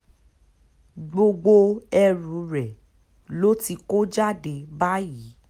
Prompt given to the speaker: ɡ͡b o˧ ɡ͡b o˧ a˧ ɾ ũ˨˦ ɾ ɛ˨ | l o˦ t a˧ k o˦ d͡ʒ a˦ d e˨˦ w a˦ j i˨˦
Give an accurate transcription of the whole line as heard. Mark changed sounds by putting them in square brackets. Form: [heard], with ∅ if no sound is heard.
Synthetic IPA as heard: ɡ͡b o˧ ɡ͡b o˧ [ɛ˧] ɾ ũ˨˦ ɾ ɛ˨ | l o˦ t [i˧] k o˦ d͡ʒ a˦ d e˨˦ [b] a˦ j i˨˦